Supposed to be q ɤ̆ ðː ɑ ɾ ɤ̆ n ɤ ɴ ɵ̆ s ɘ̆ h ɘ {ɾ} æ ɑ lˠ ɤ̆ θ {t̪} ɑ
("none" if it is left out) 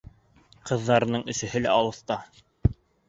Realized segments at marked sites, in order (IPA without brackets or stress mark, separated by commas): l, t̪